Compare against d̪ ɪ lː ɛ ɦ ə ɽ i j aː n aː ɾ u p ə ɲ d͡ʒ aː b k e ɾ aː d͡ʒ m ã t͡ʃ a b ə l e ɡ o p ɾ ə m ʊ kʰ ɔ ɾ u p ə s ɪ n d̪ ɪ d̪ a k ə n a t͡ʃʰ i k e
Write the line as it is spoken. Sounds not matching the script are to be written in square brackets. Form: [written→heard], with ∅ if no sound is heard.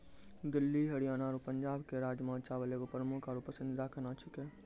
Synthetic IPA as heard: d̪ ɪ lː [ɛ→i] ɦ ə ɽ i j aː n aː ɾ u p ə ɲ d͡ʒ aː b k e ɾ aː d͡ʒ m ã t͡ʃ a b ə l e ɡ o p ɾ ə m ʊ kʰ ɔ ɾ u p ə s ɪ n d̪ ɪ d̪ a k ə n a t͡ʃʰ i k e